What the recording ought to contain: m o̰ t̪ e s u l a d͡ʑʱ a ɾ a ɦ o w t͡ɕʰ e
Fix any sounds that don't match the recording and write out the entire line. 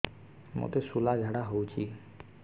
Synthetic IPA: m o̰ t̪ e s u l a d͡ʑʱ a ɽ a ɦ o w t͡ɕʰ i